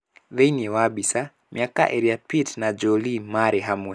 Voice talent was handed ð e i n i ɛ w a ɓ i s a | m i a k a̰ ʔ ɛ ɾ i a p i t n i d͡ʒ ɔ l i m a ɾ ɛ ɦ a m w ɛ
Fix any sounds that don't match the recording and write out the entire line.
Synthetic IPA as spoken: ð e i n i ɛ w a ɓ i s a | m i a k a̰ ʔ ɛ ɾ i a p i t n a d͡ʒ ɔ l i m a ɾ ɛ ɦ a m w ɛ